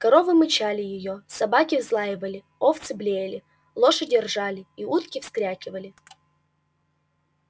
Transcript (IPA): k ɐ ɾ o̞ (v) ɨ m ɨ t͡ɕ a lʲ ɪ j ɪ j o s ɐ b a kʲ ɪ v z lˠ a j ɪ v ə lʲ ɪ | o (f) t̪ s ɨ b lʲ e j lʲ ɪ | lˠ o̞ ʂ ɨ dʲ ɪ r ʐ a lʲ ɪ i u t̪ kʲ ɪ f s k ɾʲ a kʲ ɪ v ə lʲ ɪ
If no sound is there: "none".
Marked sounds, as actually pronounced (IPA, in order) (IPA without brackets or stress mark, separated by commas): v, f